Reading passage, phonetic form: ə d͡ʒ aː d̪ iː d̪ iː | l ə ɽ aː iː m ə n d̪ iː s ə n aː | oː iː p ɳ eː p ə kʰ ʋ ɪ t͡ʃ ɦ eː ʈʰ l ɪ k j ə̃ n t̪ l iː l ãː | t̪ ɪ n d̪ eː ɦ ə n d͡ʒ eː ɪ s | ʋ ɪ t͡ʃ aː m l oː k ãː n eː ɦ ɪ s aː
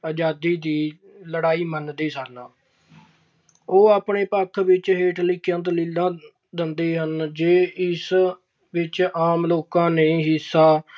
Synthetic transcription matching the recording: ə d͡ʒ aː d̪ iː d̪ iː | l ə ɽ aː iː m ə n d̪ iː s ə n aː | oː aː p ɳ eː p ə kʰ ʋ ɪ t͡ʃ ɦ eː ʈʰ l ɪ k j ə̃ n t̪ l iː l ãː | d̪ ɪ n d̪ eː ɦ ə n d͡ʒ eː ɪ s | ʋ ɪ t͡ʃ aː m l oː k ãː n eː ɦ ɪ s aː